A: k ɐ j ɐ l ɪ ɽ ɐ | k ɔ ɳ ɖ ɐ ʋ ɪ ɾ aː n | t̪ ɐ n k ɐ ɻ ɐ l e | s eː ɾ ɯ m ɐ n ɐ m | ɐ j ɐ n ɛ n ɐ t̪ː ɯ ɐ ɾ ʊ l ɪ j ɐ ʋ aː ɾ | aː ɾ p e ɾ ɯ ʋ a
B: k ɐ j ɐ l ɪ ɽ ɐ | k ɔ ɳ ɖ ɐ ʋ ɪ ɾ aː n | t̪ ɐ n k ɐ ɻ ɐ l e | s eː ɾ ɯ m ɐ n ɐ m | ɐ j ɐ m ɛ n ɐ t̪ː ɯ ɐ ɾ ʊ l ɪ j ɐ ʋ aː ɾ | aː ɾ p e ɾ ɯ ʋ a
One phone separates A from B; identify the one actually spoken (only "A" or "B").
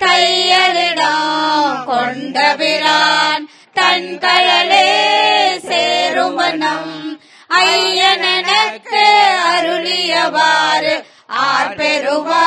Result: A